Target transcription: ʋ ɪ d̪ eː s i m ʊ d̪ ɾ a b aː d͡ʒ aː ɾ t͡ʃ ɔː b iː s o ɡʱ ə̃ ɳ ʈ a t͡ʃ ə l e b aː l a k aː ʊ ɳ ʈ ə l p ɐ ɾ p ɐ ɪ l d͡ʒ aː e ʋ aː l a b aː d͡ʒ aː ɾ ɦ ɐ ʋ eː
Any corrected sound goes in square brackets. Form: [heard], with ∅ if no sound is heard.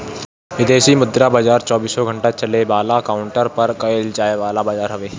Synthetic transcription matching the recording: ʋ ɪ d̪ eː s i m ʊ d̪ ɾ a b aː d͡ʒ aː ɾ t͡ʃ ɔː b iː s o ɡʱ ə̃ ɳ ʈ a t͡ʃ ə l e b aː l a k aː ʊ ɳ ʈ ə [ɾ] p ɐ ɾ [k] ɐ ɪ l d͡ʒ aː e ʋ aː l a b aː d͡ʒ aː ɾ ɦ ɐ ʋ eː